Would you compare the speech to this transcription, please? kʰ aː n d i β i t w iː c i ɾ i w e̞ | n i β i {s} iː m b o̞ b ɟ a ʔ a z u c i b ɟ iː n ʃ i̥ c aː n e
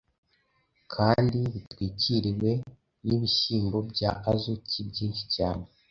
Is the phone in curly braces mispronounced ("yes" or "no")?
yes